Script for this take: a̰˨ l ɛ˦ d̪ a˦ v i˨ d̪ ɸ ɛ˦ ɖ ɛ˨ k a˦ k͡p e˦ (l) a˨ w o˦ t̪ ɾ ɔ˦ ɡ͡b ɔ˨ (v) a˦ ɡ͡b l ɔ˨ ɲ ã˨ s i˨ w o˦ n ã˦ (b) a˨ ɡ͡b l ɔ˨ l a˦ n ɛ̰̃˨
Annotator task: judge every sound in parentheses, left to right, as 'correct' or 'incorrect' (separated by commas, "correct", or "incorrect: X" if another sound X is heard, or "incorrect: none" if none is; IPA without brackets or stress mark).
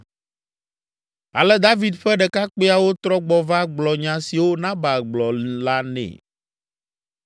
incorrect: none, correct, correct